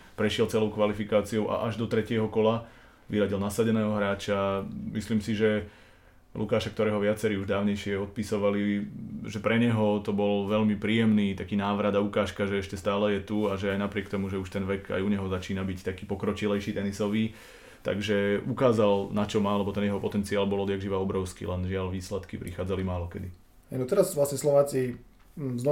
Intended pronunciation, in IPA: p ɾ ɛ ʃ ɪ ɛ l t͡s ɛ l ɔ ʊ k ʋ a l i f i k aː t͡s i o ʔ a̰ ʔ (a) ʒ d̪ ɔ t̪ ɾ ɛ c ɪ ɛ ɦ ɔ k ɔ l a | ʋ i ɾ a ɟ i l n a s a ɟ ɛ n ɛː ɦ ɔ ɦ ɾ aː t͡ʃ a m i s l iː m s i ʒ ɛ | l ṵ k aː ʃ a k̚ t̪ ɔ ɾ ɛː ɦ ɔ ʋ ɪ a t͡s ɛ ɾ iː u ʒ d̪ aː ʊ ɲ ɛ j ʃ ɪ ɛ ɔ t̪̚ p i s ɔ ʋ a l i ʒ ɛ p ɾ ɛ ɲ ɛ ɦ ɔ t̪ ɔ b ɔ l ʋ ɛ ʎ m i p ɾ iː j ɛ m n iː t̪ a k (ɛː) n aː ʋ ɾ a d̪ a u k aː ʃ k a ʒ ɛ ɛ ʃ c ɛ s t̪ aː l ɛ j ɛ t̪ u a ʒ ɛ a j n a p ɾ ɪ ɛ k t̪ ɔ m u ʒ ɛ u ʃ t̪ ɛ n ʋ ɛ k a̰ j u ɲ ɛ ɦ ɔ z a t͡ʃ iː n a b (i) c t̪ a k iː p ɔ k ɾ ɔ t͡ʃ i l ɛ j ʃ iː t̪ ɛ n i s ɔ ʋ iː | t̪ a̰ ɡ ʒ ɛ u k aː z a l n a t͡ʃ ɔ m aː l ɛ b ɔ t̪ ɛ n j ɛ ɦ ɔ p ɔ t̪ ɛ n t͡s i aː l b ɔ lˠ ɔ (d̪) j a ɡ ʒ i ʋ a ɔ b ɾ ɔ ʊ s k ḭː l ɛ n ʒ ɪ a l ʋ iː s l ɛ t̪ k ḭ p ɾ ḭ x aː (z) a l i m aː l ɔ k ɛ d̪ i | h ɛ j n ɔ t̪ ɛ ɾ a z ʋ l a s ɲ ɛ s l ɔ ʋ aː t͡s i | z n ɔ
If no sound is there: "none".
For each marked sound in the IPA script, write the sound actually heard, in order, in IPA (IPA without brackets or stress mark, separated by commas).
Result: a, iː, i, d̪, d͡z